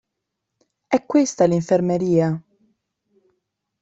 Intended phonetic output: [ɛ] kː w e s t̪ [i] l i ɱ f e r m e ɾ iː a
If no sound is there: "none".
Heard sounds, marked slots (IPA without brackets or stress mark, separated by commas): ɛ, a